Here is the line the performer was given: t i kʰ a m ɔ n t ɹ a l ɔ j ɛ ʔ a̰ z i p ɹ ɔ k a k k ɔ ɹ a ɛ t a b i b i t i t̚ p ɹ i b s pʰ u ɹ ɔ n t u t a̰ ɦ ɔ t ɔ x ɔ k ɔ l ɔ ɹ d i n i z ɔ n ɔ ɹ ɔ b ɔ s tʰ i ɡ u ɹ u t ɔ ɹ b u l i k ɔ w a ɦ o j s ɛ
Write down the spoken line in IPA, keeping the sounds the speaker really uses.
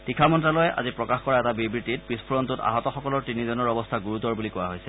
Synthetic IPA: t i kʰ a m ɔ n t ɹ a l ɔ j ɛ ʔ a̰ z i p ɹ ɔ k a x k ɔ ɹ a ɛ t a b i b i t i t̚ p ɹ i s pʰ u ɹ ɔ n t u t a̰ ɦ ɔ t ɔ x ɔ k ɔ l ɔ ɹ t i n i z ɔ n ɔ ɹ ɔ b ɔ s tʰ a ɡ u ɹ u t ɔ ɹ b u l i k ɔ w a ɦ o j s ɛ